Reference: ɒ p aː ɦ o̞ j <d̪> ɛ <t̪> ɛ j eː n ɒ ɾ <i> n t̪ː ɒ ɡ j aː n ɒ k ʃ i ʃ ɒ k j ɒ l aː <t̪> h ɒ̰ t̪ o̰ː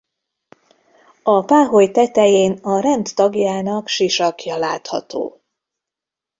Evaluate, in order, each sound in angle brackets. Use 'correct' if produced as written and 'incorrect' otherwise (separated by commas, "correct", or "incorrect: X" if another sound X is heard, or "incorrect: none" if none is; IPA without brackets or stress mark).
incorrect: t̪, correct, incorrect: ɛ, correct